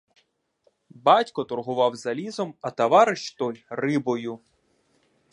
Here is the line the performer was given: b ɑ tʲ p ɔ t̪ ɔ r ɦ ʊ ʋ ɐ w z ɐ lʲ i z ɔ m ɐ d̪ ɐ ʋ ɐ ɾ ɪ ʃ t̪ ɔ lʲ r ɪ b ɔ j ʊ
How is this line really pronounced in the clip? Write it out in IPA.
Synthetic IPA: b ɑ tʲ k ɔ t̪ ɔ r ɦ ʊ ʋ ɑ w z ɐ lʲ i z ɔ m ɐ t̪ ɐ ʋ ɑ ɾ ɪ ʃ t̪ ɔ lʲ r ɪ b ɔ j ʊ

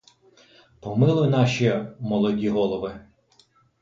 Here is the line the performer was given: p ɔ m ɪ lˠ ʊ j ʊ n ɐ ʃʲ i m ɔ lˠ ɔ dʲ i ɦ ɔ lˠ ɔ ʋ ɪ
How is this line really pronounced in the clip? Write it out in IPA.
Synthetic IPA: p ɔ m ɪ lˠ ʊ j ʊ n ɑ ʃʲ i m ɔ lˠ ɔ dʲ i ɦ ɔ lˠ ɔ ʋ ɪ

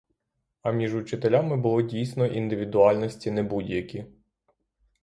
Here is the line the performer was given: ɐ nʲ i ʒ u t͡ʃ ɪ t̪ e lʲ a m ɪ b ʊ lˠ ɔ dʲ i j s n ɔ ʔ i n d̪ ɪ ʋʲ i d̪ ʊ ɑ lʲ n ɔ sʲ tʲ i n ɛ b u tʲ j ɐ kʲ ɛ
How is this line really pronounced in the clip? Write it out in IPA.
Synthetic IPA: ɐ mʲ i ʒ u t͡ʃ ɪ t̪ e lʲ a m ɪ b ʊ lˠ ɔ dʲ i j s n ɔ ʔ i n d̪ ɪ ʋʲ i d̪ ʊ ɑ lʲ n ɔ sʲ tʲ i n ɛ b u dʲ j ɐ kʲ i

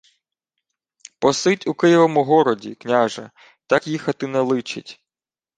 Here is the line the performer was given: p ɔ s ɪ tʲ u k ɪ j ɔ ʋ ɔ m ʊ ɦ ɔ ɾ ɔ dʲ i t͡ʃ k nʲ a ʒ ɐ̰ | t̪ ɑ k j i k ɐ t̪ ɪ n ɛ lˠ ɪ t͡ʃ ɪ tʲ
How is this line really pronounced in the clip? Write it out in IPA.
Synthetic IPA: p ɔ s ɪ tʲ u k ɪ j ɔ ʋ ɔ m ʊ ɦ ɔ ɾ ɔ dʲ i k nʲ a ʒ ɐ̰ | t̪ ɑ k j i x ɐ t̪ ɪ n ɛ lˠ ɪ t͡ʃ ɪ tʲ

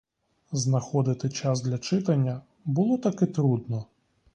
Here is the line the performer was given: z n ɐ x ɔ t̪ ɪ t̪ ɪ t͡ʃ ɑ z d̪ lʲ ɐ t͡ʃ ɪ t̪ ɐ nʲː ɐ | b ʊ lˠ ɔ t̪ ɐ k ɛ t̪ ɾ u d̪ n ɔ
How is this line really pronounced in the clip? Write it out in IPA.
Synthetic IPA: z n ɐ x ɔ d̪ ɪ t̪ ɪ t͡ʃ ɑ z d̪ lʲ ɐ t͡ʃ ɪ t̪ ɐ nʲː ɐ | b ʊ lˠ ɔ t̪ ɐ k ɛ t̪ ɾ u d̪ n ɔ

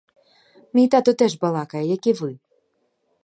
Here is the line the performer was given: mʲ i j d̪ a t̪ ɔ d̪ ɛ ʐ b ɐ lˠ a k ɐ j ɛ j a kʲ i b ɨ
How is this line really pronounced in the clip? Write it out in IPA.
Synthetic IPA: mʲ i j t̪ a t̪ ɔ t̪ ɛ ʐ b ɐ lˠ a k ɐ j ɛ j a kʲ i v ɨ

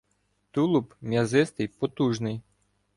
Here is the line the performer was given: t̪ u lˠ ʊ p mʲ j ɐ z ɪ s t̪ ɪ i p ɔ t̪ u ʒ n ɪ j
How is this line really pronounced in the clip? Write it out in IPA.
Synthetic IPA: t̪ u lˠ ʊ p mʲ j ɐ z ɪ s t̪ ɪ j p ɔ t̪ u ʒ n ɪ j

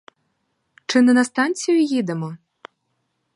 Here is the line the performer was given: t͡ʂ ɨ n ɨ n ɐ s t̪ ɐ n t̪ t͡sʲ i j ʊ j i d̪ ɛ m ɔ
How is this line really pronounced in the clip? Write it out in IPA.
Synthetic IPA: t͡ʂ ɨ n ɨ n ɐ s t̪ a n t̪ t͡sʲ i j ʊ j i d̪ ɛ m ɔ

